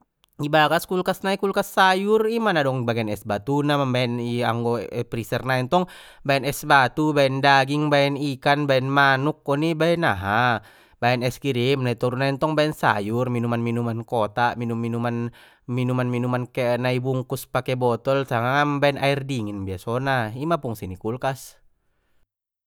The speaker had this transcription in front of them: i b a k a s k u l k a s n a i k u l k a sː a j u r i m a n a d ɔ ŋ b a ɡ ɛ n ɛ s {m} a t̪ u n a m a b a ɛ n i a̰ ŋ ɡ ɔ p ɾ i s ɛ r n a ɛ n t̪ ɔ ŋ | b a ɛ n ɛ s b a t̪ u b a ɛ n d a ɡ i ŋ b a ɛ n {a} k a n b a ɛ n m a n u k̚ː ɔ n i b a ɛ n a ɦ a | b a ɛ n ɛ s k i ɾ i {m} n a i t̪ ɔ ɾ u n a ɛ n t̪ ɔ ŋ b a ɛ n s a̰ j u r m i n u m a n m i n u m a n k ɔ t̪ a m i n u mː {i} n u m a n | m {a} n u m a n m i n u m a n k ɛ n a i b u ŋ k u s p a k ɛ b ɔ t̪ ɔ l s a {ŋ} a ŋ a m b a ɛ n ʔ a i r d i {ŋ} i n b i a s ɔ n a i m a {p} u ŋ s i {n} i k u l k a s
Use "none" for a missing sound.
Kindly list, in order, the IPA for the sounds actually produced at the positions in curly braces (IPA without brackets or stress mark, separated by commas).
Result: b, i, m, i, i, ŋ, ŋ, p, n